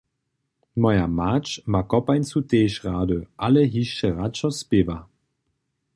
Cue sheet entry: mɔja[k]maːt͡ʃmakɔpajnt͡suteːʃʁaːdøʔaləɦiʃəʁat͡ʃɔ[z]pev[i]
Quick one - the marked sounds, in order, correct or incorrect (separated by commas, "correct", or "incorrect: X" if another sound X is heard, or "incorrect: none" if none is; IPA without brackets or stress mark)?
incorrect: none, incorrect: s, incorrect: a